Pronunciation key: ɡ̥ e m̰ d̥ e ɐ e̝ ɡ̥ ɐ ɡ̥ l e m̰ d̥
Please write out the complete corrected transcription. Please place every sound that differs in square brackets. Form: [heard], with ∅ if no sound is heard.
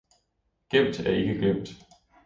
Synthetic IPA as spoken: ɡ̥ e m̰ d̥ [æ] ɐ e̝ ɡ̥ [ə] ɡ̥ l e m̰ d̥